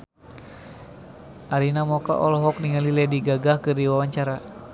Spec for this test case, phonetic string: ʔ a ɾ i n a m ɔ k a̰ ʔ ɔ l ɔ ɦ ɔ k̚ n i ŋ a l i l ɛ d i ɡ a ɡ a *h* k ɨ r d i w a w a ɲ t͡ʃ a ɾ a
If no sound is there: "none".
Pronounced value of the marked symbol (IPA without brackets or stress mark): h